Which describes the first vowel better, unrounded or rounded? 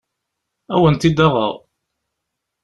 unrounded